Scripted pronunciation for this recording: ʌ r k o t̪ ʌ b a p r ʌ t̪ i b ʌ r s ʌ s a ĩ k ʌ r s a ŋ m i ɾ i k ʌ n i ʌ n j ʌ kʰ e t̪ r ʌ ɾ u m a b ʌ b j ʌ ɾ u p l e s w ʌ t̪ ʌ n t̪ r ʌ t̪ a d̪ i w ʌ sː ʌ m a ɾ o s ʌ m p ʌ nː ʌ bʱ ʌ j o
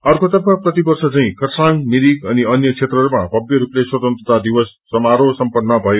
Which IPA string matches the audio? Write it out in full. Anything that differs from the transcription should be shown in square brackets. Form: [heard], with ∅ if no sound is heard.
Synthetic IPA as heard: ʌ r k o t̪ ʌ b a p r ʌ t̪ i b ʌ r s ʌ [t͡s] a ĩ k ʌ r s a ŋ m i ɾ i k ʌ n i ʌ n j ʌ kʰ e t̪ r ʌ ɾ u m a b ʌ b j ʌ ɾ u p l e s w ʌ t̪ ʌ n t̪ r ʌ t̪ a d̪ i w ʌ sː ʌ m a ɾ o s ʌ m p ʌ nː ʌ bʱ ʌ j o

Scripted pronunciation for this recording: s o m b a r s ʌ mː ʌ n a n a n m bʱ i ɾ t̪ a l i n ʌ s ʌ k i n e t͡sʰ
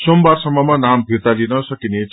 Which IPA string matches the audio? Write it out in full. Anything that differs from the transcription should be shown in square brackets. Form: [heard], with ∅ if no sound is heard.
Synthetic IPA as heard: s o m b a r s ʌ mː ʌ [m] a n a [∅] m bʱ i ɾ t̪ a l i n ʌ s ʌ k i n e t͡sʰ

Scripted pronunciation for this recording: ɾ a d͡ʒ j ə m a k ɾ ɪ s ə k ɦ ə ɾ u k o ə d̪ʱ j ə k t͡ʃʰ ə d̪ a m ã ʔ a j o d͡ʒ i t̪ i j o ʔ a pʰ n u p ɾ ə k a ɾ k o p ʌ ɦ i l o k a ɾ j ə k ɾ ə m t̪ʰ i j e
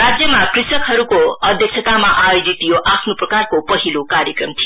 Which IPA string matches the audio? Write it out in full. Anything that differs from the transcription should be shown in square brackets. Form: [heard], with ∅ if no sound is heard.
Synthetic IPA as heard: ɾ a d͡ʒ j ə m a k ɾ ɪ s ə k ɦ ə ɾ u k o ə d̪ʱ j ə k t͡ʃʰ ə [t̪] a m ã ʔ a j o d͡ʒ i t̪ i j o ʔ a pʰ n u p ɾ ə k a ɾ k o p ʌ ɦ i l o k a ɾ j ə k ɾ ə m t̪ʰ i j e

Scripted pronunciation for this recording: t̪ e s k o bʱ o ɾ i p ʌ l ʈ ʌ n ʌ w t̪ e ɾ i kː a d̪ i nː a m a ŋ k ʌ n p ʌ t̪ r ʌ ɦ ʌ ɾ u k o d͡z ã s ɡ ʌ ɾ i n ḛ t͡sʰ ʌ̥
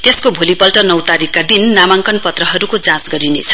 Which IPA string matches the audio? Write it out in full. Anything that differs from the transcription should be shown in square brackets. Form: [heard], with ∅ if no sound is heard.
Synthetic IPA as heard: t̪ e s k o bʱ o [l] i p ʌ l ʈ ʌ n ʌ w t̪ [a] ɾ i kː a d̪ i nː a m a ŋ k ʌ n p ʌ t̪ r ʌ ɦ ʌ ɾ u k o d͡z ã s ɡ ʌ ɾ i n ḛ t͡sʰ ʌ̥

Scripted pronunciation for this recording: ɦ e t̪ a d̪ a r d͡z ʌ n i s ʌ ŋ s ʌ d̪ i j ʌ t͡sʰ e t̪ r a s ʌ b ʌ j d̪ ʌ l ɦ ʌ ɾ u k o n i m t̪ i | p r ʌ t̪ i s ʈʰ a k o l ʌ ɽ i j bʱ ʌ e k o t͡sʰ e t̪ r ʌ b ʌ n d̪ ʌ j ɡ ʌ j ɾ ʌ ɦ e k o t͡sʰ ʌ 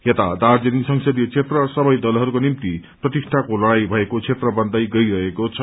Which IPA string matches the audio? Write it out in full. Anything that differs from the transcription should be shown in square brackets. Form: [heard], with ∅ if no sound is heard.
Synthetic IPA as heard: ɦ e t̪ a d̪ a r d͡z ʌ n i s ʌ ŋ s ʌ d̪ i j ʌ t͡sʰ e t̪ r [ʌ] s ʌ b ʌ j d̪ ʌ l ɦ ʌ ɾ u k o n i m t̪ i | p r ʌ t̪ i s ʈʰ a k o l ʌ ɽ [a] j bʱ ʌ e k o t͡sʰ e t̪ r ʌ b ʌ n d̪ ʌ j ɡ ʌ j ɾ ʌ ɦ e k o t͡sʰ ʌ

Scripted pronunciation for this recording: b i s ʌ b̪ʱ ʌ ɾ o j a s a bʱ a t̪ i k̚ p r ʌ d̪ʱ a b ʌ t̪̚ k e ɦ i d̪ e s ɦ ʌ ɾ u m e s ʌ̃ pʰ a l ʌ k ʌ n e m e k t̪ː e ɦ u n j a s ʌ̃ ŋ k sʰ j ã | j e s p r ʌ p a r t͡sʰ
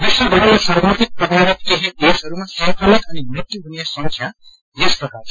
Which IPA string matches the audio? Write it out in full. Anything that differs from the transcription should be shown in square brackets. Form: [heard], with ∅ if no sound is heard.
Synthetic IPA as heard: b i s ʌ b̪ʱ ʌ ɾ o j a s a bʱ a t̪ i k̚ p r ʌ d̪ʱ a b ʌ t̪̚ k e ɦ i d̪ e s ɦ ʌ ɾ u m [a] s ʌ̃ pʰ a l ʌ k ʌ n [i] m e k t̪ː [i] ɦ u n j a s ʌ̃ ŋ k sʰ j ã | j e s p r ʌ [k] a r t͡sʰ

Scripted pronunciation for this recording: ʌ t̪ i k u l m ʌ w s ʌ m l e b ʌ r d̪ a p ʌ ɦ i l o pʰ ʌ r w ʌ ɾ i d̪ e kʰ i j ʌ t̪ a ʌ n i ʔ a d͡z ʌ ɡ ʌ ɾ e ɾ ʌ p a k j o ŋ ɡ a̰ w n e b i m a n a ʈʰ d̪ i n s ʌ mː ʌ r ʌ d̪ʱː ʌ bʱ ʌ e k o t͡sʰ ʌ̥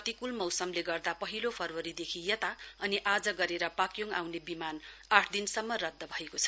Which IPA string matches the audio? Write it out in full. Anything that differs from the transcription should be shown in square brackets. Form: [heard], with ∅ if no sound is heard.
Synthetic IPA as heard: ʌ t̪ i k u l m ʌ w s ʌ m l e [ɡ] ʌ r d̪ a p ʌ ɦ i l o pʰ ʌ r w ʌ ɾ i d̪ e kʰ i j ʌ t̪ a ʌ n i ʔ a d͡z ʌ ɡ ʌ ɾ e ɾ ʌ p a k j o ŋ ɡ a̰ w n e b i m a n a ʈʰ d̪ i n s ʌ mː ʌ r ʌ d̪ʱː ʌ bʱ ʌ e k o t͡sʰ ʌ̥

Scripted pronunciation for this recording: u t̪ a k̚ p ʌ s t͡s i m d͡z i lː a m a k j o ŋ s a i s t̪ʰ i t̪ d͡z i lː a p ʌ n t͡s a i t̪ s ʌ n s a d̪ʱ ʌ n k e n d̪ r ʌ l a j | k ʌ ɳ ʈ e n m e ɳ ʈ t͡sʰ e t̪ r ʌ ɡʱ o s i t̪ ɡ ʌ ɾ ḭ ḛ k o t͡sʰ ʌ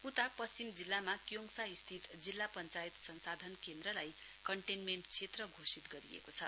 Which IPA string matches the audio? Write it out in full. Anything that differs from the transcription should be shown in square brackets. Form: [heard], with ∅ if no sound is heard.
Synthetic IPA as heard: u t̪ a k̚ p ʌ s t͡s i m d͡z i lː a m a k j o ŋ s a i s t̪ʰ i t̪ d͡z i lː a p ʌ n t͡s a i t̪ s ʌ n s a d̪ʱ ʌ n k e n d̪ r ʌ l a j | k ʌ ɳ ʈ e n m e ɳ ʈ t͡sʰ e t̪ r ʌ ɡʱ o s i t̪ ɡ ʌ ɾ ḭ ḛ k o t͡sʰ ʌ

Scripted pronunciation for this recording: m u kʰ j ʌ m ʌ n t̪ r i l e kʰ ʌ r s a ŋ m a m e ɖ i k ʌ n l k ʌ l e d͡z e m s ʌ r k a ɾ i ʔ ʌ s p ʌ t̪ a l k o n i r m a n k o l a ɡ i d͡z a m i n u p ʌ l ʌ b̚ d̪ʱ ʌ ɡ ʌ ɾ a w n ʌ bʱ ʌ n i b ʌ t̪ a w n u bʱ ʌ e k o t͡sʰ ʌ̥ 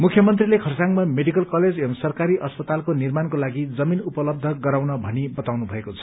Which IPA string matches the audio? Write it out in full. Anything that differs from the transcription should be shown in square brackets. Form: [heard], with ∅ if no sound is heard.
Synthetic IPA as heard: m u kʰ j ʌ m ʌ n t̪ r i l e kʰ ʌ r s a ŋ m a m e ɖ i k ʌ [∅] l k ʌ l e d͡z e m s ʌ r k a ɾ i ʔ ʌ s p ʌ t̪ a l k o n i r m a n k o l a ɡ i d͡z [ʌ] m i n u p ʌ l ʌ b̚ d̪ʱ ʌ ɡ ʌ ɾ a w n ʌ bʱ ʌ n i b ʌ t̪ a w n u bʱ ʌ e k o t͡sʰ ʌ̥

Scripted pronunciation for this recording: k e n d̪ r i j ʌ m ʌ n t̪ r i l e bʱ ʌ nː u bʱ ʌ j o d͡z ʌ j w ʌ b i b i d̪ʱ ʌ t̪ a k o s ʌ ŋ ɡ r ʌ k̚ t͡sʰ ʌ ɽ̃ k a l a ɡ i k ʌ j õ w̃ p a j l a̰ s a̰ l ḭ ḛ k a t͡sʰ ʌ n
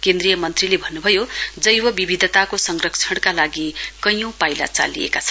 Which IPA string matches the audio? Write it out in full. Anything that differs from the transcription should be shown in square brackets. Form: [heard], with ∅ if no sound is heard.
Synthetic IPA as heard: k e n d̪ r i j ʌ m ʌ n t̪ r i l e bʱ ʌ nː u bʱ ʌ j o d͡z ʌ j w ʌ b i b i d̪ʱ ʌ t̪ a k o s ʌ ŋ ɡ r ʌ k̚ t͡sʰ ʌ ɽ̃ k a l a ɡ i k ʌ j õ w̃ p a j l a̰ [t͡s] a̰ l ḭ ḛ k a t͡sʰ ʌ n

